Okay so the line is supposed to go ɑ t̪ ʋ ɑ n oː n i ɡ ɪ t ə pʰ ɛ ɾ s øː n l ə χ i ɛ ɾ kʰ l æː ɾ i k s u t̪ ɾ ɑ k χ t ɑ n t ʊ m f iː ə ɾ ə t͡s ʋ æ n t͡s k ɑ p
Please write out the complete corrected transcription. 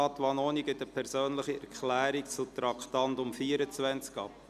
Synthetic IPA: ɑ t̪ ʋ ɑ n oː n i ɡ ɪ t ə pʰ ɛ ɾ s øː n l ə χ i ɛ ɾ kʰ l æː ɾ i k t͡s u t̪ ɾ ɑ k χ t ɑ n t ʊ m f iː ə ɾ ə t͡s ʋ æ n t͡s k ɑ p